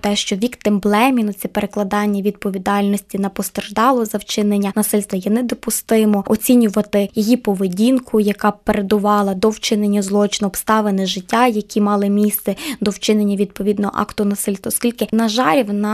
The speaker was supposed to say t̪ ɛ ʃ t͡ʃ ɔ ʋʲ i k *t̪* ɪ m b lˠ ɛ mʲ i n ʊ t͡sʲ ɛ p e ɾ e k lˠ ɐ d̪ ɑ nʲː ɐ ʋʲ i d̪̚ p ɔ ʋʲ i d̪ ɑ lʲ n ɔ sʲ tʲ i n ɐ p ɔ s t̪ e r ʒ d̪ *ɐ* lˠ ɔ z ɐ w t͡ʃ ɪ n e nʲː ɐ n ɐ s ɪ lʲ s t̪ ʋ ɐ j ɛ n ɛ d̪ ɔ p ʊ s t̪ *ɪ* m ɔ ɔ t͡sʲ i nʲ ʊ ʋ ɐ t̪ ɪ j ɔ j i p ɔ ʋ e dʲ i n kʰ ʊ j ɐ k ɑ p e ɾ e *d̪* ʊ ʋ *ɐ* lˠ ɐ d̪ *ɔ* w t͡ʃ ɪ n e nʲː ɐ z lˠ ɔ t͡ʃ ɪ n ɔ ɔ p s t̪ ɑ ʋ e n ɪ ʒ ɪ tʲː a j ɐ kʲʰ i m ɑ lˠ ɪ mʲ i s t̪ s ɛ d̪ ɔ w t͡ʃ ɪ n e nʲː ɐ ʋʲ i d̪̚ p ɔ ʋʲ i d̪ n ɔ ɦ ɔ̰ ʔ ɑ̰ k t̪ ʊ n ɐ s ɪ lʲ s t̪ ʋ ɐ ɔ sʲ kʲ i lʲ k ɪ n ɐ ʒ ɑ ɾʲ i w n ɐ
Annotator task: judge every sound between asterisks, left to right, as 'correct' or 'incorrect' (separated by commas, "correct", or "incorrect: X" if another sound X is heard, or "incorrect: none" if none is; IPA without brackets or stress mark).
correct, incorrect: ɑ, correct, correct, incorrect: ɑ, correct